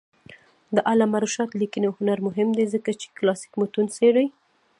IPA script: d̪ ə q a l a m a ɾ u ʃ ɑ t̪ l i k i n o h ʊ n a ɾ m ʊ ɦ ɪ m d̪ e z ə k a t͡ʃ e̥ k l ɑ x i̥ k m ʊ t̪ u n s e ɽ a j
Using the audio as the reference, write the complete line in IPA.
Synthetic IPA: d̪ ə ʔ a l a m a ɾ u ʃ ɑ t̪ l i k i n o h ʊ n a ɾ m ʊ ɦ ɪ m d̪ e z ə k a t͡ʃ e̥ k l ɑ s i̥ k m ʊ t̪ u n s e ɽ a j